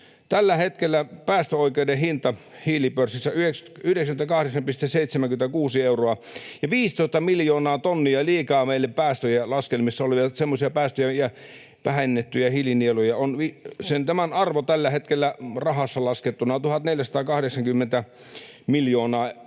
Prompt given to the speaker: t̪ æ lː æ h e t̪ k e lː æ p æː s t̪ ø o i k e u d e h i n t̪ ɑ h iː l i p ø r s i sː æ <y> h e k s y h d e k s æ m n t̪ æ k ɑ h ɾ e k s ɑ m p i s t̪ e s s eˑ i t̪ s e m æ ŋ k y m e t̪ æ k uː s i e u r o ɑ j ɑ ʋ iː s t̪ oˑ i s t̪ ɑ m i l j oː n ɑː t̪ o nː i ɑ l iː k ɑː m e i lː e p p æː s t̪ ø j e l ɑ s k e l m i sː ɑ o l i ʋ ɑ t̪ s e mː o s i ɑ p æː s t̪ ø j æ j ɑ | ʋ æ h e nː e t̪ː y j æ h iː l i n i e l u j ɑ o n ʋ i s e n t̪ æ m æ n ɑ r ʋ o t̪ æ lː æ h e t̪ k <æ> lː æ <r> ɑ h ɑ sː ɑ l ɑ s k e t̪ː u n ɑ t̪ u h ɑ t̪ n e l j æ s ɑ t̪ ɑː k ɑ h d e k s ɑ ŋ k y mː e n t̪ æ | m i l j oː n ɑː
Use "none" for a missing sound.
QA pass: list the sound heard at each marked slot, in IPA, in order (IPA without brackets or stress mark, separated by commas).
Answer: y, e, r